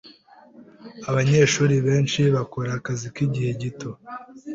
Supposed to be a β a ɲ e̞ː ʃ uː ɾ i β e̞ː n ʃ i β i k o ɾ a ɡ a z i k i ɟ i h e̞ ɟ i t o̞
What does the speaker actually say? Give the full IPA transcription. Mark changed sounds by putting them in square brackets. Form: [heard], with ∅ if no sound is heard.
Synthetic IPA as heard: a β a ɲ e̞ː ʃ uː ɾ i β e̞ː n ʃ i β [a] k o ɾ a [k] a z i k i ɟ i h e̞ ɟ i t o̞